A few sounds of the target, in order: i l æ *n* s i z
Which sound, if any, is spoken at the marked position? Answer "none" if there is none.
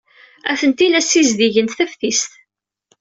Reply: none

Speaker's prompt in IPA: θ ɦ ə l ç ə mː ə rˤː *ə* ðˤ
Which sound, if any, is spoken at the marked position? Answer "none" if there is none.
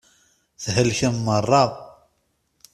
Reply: ɑ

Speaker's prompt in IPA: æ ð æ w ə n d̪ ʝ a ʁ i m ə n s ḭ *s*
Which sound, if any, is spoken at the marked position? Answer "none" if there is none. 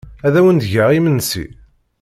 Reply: none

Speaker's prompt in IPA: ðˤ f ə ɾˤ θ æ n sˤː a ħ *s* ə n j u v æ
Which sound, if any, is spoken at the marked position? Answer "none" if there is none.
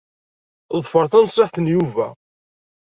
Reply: θ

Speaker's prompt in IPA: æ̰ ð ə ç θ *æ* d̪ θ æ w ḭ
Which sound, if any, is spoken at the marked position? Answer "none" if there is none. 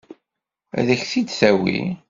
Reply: i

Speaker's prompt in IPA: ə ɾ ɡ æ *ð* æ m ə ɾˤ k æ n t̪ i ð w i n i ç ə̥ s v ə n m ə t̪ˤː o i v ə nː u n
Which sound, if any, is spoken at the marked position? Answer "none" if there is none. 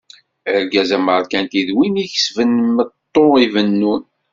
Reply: z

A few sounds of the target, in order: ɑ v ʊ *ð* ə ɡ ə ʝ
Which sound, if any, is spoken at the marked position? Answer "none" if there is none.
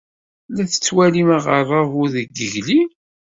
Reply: ð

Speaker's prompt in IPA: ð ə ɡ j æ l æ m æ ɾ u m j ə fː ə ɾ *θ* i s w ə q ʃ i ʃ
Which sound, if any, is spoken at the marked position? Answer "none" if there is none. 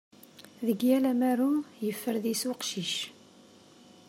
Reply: ð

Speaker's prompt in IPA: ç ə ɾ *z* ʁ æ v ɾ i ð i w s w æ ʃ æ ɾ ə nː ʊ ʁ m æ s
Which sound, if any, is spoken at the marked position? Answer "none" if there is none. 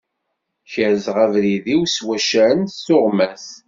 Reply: z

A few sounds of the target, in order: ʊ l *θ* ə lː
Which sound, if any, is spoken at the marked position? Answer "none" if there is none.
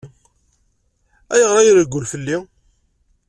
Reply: f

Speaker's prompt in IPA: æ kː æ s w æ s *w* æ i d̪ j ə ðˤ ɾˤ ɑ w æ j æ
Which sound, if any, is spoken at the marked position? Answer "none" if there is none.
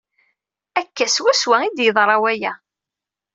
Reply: w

